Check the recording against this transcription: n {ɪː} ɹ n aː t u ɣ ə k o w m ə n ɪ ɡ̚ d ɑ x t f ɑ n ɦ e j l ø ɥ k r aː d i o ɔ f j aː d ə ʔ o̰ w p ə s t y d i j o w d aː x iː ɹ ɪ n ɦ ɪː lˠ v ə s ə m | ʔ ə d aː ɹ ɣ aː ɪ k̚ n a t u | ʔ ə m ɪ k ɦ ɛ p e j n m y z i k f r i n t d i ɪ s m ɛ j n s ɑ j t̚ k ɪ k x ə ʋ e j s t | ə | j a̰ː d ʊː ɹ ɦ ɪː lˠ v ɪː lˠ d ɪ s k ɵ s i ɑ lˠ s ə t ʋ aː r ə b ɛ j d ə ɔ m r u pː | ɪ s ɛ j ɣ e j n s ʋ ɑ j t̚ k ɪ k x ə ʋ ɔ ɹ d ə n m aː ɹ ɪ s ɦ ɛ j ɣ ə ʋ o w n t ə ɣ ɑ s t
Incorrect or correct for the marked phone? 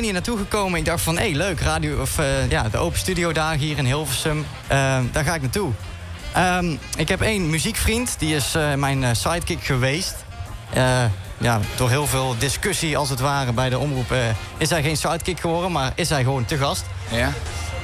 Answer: incorrect: iː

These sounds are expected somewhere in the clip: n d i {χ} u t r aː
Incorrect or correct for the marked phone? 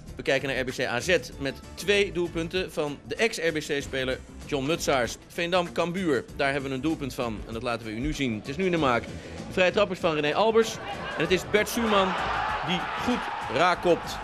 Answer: correct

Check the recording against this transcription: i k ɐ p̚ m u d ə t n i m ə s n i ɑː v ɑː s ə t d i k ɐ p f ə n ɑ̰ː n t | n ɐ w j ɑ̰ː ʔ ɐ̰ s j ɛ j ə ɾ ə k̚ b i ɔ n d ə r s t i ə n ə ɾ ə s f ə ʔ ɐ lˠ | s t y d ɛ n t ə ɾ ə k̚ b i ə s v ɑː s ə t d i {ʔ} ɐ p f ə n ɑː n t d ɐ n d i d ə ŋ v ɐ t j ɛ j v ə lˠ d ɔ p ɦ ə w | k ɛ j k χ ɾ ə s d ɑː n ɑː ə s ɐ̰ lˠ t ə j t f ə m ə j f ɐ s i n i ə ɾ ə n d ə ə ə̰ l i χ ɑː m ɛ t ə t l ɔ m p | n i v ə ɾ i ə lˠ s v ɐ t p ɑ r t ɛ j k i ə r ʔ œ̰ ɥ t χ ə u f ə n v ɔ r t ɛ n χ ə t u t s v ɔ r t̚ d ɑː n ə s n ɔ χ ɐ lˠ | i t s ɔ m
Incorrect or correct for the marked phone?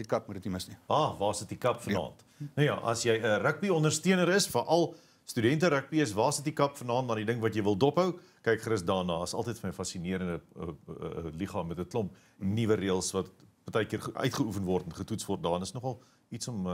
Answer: incorrect: k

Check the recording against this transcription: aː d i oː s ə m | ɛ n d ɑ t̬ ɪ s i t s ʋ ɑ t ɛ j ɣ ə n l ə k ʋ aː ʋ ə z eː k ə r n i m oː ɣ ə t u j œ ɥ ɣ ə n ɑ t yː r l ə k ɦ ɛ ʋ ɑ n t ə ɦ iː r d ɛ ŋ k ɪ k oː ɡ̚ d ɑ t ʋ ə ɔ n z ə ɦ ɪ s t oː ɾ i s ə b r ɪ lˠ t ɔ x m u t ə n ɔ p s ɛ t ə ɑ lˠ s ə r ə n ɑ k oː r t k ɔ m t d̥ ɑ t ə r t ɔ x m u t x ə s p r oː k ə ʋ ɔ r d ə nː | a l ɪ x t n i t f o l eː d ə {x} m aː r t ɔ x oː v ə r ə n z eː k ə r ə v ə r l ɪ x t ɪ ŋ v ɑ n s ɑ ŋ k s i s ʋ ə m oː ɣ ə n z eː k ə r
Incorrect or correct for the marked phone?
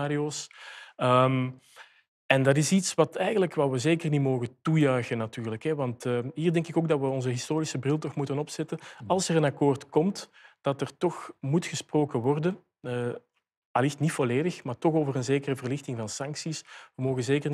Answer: correct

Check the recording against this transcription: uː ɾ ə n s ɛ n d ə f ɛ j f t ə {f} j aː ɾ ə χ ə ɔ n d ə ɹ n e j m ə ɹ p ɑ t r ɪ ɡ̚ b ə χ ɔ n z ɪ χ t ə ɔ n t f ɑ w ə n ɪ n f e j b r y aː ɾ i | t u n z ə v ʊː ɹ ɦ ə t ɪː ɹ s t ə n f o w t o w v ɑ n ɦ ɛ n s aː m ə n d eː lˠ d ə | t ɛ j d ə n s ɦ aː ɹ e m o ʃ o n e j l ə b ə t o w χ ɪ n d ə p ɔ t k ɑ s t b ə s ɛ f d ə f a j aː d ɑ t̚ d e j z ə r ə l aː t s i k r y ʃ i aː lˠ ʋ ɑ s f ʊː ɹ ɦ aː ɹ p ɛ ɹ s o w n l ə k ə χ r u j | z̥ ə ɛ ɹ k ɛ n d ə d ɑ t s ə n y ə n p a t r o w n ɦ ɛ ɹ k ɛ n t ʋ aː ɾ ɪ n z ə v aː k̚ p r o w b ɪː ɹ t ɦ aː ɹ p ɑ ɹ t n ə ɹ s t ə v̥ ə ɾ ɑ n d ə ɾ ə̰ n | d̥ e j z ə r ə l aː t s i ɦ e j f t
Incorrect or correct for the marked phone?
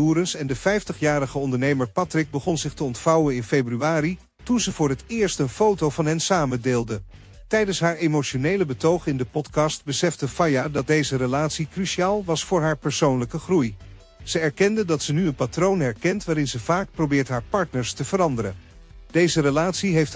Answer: incorrect: χ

